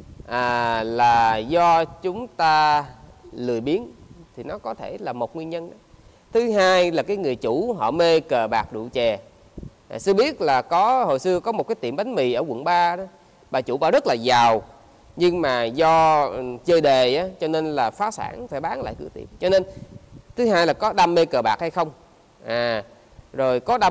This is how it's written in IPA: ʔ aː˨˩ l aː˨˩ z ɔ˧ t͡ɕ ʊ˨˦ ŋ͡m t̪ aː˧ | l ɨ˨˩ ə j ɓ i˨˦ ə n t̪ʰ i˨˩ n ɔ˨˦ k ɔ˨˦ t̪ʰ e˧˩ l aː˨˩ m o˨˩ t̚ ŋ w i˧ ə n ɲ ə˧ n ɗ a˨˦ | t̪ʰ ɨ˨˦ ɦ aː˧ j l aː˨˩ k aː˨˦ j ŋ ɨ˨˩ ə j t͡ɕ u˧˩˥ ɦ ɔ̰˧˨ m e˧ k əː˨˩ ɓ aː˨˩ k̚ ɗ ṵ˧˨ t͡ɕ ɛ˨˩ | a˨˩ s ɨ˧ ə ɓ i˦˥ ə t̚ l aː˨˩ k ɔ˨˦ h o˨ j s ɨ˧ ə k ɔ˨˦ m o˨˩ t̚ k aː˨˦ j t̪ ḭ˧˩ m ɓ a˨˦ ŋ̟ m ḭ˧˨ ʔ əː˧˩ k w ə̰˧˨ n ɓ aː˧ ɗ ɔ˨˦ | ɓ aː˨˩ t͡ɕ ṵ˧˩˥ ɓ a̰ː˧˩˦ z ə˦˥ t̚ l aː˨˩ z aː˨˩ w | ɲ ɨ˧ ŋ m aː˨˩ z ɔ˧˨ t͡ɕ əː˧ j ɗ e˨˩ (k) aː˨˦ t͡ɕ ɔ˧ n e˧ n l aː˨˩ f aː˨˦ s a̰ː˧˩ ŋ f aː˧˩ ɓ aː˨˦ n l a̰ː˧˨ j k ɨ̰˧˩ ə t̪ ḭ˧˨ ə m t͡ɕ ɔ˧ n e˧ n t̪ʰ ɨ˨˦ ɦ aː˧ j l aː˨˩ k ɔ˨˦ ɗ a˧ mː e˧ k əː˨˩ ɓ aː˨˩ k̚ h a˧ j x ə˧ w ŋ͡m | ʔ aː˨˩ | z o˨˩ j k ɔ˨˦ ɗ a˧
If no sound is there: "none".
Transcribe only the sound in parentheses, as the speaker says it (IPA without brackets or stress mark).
ʔ